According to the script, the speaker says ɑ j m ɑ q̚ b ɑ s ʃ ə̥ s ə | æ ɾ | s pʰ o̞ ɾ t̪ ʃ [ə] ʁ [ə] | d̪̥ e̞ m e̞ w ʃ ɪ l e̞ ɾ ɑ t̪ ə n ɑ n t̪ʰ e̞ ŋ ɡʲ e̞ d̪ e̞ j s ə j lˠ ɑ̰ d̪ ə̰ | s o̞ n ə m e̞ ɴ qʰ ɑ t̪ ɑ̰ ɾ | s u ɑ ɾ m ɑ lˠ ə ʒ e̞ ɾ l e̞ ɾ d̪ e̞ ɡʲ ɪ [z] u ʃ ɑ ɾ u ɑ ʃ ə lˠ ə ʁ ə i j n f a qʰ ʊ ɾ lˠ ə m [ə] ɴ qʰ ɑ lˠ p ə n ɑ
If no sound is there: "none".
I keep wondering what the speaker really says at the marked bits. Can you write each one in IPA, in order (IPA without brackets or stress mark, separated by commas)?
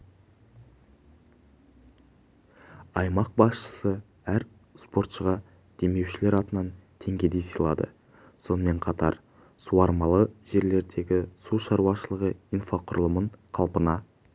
ə, ɑ, s, ə